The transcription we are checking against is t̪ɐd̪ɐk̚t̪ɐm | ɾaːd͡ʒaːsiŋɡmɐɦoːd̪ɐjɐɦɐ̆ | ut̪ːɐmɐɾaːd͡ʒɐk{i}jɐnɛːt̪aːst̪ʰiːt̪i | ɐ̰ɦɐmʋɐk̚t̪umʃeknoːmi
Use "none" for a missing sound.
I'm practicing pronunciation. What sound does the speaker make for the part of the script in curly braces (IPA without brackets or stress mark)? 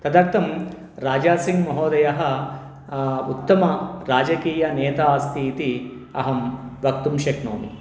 iː